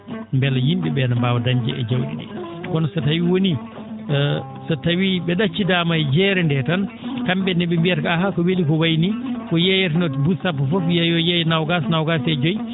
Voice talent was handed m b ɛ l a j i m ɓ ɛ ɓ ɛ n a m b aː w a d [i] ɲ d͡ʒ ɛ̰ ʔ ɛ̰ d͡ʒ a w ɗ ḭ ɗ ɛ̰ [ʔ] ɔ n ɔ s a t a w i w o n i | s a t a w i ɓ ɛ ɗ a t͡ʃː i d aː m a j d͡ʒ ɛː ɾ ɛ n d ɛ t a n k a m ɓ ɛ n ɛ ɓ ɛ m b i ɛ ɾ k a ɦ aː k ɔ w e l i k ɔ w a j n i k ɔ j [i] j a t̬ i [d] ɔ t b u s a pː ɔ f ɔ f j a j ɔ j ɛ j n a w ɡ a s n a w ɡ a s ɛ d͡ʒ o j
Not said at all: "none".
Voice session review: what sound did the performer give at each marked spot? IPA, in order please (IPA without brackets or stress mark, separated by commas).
a, k, ɛ, n